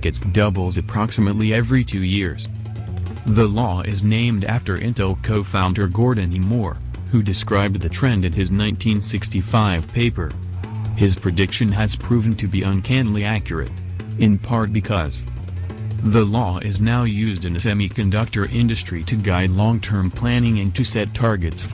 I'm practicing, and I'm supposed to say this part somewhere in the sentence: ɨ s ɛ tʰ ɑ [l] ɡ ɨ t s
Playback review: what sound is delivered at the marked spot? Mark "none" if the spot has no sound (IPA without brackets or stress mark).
ɹ